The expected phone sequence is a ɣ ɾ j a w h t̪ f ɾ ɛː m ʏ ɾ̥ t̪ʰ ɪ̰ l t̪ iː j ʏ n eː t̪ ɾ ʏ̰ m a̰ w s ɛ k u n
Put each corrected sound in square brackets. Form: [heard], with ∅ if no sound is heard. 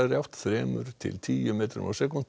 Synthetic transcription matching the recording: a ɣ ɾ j a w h t̪ [θ] ɾ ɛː m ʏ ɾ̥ t̪ʰ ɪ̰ l [t̪ʰ] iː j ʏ [m] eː t̪ ɾ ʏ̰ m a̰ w s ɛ k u n